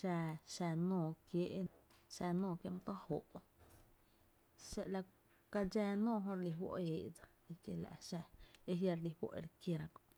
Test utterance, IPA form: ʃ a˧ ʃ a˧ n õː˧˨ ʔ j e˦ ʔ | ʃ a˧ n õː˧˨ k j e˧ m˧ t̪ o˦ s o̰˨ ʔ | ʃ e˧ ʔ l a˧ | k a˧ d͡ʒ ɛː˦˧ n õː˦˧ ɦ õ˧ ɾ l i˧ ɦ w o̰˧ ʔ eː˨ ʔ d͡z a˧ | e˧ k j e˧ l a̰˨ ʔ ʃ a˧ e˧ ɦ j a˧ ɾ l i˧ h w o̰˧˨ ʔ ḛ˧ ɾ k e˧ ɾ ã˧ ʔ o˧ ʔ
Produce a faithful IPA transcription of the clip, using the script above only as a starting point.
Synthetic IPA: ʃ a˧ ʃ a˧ n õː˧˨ k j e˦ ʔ | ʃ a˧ n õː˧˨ k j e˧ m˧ t̪ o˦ h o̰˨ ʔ | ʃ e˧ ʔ l a˧ | k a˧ d͡ʒ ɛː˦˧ n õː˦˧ ɦ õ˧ ɾ l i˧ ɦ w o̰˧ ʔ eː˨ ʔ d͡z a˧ | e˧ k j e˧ l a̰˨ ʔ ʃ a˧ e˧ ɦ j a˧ ɾ l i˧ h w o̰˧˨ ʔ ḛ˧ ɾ k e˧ ɾ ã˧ k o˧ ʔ